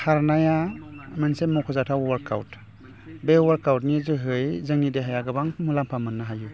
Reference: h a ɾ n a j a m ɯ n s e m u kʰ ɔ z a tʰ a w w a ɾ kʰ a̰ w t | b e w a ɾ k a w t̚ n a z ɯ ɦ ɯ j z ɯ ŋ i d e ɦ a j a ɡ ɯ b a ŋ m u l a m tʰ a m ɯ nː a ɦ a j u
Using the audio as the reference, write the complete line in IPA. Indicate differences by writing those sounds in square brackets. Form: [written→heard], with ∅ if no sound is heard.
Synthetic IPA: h a ɾ n a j a m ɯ n s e m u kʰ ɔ z a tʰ a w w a ɾ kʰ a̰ w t | b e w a ɾ k a w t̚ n [a→i] z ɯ ɦ ɯ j z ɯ ŋ i d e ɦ a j a ɡ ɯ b a ŋ m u l a m [tʰ→pʰ] a m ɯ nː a ɦ a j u